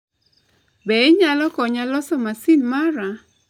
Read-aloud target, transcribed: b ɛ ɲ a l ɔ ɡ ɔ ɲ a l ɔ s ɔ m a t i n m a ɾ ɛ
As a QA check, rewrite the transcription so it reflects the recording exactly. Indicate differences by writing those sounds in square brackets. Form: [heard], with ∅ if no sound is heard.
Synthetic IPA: b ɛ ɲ a l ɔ [k] ɔ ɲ a l ɔ s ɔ m a [s] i n m a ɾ [a]